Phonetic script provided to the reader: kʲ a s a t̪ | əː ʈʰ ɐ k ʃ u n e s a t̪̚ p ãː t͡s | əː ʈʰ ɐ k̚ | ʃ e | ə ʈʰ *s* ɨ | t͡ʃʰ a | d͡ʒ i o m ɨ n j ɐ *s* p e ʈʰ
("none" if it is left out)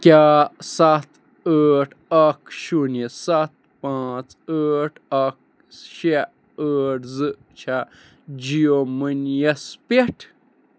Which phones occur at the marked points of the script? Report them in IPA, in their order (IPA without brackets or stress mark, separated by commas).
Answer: z, s